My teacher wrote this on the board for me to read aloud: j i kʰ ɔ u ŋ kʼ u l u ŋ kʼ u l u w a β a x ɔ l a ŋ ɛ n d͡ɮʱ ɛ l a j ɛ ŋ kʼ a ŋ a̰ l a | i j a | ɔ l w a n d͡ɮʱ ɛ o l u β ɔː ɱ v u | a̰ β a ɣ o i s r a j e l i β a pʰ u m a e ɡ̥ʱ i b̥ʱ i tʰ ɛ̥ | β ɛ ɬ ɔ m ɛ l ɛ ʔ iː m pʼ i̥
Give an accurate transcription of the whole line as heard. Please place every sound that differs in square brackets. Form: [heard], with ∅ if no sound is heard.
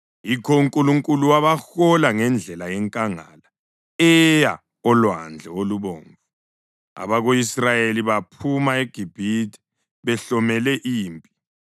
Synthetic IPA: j i kʰ ɔ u ŋ kʼ u l u ŋ kʼ u l u w a β a x ɔ l a ŋ ɛ n d͡ɮʱ ɛ l a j ɛ ŋ kʼ a ŋ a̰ l a | [ɛ] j a | ɔ l w a n d͡ɮʱ ɛ o l u β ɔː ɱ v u | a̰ β a ɣ o i s r a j e l i β a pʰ u m a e ɡ̥ʱ i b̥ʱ i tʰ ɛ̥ | β ɛ ɬ ɔ m ɛ l ɛ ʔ iː m pʼ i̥